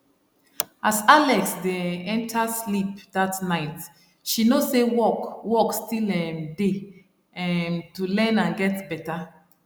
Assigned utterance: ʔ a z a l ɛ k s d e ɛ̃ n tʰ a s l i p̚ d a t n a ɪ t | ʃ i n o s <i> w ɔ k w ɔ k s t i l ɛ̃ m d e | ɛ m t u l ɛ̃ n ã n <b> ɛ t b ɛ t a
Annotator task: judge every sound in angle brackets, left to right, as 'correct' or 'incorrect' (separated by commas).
incorrect, incorrect